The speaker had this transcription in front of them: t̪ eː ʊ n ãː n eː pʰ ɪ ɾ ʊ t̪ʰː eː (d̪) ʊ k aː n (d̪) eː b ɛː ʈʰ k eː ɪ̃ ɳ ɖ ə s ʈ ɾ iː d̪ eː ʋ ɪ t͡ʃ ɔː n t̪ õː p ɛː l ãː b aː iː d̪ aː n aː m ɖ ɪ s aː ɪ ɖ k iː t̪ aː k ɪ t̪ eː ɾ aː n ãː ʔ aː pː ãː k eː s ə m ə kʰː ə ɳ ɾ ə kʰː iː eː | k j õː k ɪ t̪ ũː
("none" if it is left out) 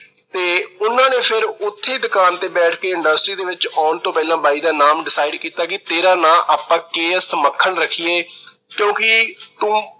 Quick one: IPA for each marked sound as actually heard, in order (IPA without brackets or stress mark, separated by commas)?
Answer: d̪, t̪